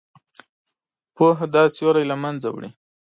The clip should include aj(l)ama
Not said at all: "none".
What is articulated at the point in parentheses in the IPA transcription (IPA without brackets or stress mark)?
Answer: l